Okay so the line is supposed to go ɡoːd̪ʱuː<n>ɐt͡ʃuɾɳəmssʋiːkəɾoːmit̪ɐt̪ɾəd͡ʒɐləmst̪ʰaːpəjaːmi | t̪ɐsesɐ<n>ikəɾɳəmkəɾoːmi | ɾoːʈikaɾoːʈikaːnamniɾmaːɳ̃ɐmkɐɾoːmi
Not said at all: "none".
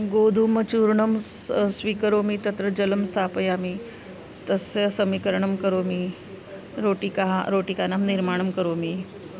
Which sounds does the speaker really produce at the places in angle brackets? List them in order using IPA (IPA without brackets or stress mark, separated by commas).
m, m